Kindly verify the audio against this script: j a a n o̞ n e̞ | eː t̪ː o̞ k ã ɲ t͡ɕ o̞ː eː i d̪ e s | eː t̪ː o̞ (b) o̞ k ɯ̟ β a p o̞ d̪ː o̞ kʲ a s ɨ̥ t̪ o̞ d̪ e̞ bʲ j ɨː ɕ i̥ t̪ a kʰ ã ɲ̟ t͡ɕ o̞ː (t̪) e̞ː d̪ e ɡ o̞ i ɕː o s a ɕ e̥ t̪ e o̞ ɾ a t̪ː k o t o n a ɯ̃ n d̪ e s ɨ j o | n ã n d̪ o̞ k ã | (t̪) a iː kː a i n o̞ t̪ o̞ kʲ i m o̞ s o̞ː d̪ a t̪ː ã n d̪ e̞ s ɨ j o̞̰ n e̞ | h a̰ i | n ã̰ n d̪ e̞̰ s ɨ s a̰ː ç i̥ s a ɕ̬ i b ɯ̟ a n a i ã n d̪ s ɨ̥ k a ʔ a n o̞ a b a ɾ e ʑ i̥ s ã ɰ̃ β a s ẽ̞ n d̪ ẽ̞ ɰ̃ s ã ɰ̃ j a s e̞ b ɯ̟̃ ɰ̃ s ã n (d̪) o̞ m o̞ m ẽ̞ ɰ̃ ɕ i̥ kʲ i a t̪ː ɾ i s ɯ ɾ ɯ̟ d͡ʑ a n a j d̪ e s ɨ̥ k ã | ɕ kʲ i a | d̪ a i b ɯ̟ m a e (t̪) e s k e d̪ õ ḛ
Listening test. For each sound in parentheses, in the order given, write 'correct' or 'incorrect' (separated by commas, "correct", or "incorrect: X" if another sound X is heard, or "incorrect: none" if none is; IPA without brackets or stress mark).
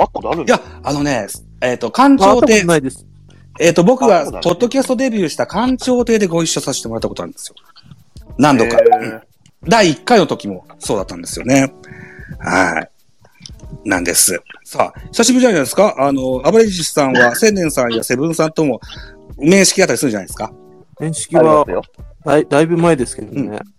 correct, correct, incorrect: d̪, incorrect: t̪, incorrect: d̪